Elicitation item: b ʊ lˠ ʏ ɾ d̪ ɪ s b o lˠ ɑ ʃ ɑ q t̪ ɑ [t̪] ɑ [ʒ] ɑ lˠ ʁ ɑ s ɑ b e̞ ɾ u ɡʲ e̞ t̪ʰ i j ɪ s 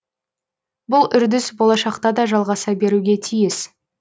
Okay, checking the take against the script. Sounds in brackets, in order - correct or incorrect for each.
incorrect: d̪, correct

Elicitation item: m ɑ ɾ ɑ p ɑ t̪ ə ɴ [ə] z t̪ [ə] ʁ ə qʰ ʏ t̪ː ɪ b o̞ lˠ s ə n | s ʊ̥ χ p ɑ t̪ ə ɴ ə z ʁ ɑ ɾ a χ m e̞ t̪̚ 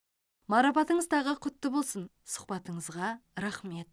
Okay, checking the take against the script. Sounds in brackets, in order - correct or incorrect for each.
correct, incorrect: ɑ

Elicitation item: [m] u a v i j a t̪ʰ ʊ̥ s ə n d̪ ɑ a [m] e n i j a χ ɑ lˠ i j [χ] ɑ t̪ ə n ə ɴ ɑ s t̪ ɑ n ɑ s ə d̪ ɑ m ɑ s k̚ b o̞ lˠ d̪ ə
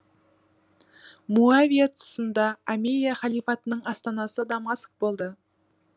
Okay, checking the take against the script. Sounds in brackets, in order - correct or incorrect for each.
correct, correct, incorrect: f

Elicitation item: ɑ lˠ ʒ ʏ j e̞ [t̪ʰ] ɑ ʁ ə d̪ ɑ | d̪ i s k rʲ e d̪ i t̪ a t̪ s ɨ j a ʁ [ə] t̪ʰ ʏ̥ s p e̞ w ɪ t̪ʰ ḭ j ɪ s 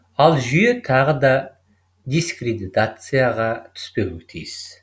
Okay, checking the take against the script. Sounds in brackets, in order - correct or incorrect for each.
correct, incorrect: ɑ

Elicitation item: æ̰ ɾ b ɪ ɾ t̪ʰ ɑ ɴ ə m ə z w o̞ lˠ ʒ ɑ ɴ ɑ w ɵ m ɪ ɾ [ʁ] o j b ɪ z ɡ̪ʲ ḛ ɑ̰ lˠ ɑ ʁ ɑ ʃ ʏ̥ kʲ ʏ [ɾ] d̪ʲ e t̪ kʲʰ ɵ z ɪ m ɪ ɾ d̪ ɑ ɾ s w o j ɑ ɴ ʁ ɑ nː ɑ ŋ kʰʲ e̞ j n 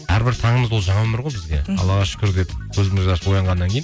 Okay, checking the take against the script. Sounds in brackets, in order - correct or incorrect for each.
correct, correct

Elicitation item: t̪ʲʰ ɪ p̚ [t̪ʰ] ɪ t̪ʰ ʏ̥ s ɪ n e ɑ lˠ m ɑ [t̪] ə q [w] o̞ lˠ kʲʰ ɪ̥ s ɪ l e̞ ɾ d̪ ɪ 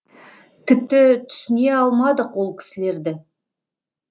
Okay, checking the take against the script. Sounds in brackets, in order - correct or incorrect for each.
incorrect: t̪, incorrect: d̪, correct

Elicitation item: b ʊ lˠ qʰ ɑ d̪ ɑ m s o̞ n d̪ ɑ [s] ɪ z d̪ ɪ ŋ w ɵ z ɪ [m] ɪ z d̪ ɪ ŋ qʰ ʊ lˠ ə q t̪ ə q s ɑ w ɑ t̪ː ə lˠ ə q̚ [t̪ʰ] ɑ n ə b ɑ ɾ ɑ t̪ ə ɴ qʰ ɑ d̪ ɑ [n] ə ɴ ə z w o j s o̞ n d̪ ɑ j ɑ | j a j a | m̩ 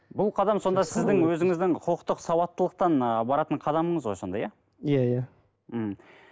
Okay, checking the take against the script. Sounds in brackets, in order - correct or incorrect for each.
correct, incorrect: ŋ, incorrect: t̪, incorrect: m

